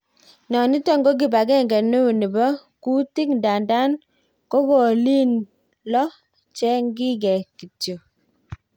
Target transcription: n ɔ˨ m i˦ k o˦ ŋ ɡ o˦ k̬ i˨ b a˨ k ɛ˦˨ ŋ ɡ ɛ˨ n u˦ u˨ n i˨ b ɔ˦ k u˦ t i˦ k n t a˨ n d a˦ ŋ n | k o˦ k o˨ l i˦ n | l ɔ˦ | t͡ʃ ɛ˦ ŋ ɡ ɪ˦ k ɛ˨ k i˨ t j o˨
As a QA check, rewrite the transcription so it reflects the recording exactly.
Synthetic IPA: n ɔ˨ n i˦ t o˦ ŋ ɡ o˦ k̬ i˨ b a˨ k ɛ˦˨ ŋ ɡ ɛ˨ n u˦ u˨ n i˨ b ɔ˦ k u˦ t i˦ k n d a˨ n d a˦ n | k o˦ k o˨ l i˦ n | l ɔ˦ | t͡ʃ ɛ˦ ŋ ɡ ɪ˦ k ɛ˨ k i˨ t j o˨